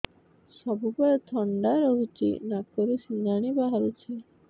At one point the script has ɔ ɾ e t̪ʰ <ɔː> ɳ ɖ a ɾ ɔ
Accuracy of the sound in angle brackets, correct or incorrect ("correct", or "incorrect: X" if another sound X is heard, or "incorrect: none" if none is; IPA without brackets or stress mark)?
incorrect: ɔ